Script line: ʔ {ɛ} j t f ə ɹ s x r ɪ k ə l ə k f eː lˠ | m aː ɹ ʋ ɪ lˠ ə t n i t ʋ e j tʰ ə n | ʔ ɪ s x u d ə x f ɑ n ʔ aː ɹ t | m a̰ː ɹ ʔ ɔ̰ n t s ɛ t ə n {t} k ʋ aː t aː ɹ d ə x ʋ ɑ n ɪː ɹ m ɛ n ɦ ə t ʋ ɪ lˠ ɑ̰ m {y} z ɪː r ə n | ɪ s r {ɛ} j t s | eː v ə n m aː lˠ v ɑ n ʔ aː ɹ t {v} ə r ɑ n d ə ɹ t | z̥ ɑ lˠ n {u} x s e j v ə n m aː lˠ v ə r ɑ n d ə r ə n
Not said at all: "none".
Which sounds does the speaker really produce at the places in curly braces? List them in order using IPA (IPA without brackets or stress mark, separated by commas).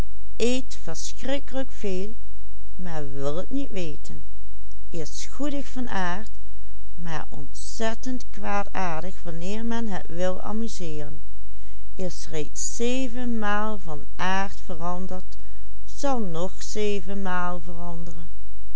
e, t, y, e, f, ɔ